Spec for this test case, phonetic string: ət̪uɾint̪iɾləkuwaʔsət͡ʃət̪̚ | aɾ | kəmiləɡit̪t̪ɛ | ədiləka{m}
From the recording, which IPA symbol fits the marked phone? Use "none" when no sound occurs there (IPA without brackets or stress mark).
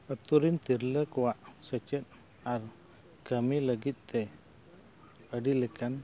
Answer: n